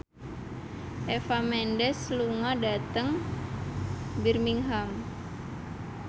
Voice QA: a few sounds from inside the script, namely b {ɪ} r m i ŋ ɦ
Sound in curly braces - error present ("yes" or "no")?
yes